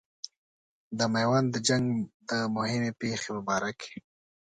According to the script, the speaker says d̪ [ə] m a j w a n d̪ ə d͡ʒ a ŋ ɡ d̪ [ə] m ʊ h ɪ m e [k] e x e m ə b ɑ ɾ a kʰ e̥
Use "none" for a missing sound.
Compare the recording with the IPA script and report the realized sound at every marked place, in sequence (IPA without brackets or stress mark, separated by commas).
ə, ə, p